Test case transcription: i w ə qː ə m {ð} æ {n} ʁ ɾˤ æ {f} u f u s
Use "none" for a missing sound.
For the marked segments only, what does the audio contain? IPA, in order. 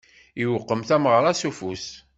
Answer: θ, m, s

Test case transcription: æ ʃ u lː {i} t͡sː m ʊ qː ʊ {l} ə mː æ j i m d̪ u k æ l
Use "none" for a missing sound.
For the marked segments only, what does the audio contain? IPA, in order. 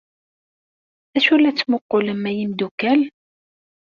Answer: æ, l

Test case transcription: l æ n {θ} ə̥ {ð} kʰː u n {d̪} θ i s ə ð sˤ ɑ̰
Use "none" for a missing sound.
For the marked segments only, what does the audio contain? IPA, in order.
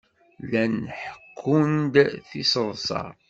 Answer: ħ, none, d̪

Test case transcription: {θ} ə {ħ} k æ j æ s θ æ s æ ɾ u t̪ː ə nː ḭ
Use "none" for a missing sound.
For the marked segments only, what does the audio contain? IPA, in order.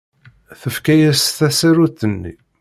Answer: θ, f

